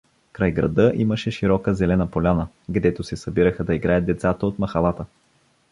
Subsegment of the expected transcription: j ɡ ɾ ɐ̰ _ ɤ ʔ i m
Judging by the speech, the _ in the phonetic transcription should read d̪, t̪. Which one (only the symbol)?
d̪